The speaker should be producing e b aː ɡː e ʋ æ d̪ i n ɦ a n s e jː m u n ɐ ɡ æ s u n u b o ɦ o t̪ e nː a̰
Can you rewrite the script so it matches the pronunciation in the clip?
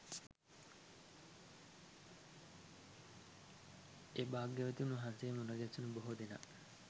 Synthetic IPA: e b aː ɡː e ʋ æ t̪ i n ɦ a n s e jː m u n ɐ ɡ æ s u n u b o ɦ o d̪ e n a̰